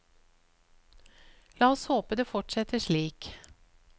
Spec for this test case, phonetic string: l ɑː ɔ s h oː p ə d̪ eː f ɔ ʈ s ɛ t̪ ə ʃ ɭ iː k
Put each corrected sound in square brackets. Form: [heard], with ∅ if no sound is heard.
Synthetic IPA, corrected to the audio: l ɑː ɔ s h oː p ə d̪ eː f ɔ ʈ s ɛ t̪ ə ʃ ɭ iː k

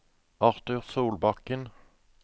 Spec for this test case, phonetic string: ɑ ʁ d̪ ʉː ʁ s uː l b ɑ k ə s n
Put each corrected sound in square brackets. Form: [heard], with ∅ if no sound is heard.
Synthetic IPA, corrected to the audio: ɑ ʁ [t̪] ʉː ʁ s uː l b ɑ k ə [∅] n

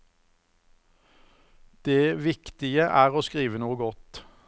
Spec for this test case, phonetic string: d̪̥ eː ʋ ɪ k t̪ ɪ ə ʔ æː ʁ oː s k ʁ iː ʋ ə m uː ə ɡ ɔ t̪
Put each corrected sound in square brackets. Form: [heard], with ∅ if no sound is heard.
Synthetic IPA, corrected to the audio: d̪̥ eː ʋ ɪ k t̪ ɪ ə ʔ æː ʁ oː s k ʁ iː ʋ ə [n] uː ə ɡ ɔ t̪

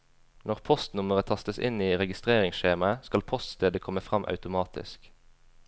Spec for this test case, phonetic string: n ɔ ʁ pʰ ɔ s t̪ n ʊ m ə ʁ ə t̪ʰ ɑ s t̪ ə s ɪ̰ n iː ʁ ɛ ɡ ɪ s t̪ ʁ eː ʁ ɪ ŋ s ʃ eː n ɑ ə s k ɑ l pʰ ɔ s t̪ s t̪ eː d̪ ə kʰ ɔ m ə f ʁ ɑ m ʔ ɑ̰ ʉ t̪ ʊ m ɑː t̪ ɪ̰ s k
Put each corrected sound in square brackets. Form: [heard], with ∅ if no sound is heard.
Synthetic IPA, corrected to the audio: n ɔ ʁ pʰ ɔ s t̪ n ʊ m ə ʁ ə t̪ʰ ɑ s t̪ ə s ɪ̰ n iː ʁ ɛ ɡ ɪ s t̪ ʁ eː ʁ ɪ ŋ s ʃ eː [m] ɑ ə s k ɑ l pʰ ɔ s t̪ s t̪ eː d̪ ə kʰ ɔ m ə f ʁ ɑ m ʔ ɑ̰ ʉ t̪ ʊ m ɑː t̪ ɪ̰ s k

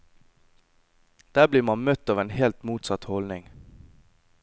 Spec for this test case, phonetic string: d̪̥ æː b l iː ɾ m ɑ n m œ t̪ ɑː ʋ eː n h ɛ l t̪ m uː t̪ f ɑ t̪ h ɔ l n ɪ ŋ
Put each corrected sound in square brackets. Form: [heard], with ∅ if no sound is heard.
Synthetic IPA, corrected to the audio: d̪̥ æː b l iː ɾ m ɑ n m œ t̪ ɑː ʋ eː n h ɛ l t̪ m uː t̪ [s] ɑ t̪ h ɔ l n ɪ ŋ

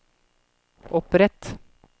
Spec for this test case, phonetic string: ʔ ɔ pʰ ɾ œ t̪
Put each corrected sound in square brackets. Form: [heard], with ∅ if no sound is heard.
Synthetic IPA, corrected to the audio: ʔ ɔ [p] ɾ [ɛ] t̪

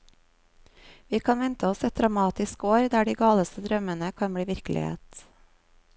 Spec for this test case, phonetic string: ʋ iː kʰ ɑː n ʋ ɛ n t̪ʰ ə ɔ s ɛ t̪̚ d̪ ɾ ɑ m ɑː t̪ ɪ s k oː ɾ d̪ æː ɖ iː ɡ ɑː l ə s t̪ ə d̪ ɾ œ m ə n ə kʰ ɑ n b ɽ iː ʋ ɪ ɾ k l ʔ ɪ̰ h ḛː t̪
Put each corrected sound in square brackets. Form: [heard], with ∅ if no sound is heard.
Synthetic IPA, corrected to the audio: ʋ iː kʰ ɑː n ʋ ɛ n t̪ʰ ə ɔ s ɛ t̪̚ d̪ ɾ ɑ m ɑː t̪ ɪ s k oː ɾ d̪ æː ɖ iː ɡ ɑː l ə s t̪ ə d̪ ɾ œ m ə n ə kʰ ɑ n b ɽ iː ʋ ɪ ɾ k l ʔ ɪ̰ h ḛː t̪

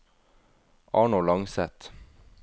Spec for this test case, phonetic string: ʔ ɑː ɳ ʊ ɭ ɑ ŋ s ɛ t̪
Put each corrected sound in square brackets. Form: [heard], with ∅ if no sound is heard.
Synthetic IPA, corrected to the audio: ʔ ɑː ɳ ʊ [l] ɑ ŋ s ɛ t̪

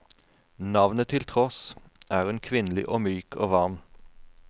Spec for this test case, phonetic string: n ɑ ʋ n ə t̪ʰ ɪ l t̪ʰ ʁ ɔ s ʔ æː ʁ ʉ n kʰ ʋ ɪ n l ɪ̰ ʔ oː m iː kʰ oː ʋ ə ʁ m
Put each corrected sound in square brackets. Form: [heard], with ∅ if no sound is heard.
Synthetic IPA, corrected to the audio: n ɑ ʋ n ə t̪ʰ ɪ l t̪ʰ ʁ ɔ s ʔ æː ʁ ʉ n kʰ ʋ ɪ n l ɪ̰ ʔ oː m [yː] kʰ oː ʋ [ɑ] ʁ m

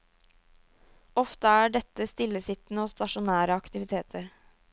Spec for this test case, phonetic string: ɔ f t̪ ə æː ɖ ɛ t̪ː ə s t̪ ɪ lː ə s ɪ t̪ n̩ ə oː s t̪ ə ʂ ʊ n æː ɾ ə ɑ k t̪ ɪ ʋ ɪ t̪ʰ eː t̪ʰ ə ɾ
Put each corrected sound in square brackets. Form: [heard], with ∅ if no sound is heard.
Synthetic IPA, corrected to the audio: ɔ f t̪ ə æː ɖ ɛ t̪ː ə s t̪ ɪ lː ə s ɪ t̪ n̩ ə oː s t̪ [ɑ] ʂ ʊ n æː ɾ ə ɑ k t̪ ɪ ʋ ɪ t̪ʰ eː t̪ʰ ə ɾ

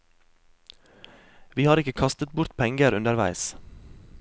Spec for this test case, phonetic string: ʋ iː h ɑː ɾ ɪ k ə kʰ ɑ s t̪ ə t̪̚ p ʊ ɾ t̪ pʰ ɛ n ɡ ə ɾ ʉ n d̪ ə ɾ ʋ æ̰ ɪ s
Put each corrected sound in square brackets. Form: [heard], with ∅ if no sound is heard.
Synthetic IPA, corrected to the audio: ʋ iː h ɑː ɾ ɪ k ə kʰ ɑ s t̪ ə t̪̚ [b] ʊ ɾ t̪ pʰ ɛ [ŋ] ɡ ə ɾ ʉ n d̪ ə ɾ ʋ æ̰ ɪ s

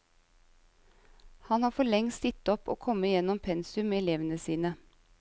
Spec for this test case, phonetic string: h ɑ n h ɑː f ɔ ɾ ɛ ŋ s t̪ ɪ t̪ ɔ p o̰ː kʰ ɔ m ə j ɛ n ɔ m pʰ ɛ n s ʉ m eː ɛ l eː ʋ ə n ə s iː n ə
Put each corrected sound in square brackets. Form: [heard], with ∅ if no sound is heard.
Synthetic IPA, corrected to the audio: h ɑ n h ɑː f ɔ [ɭ] ɛ ŋ s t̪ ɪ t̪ ɔ p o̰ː kʰ ɔ m ə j ɛ n ɔ m pʰ ɛ n s ʉ m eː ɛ l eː ʋ ə n ə s iː n ə

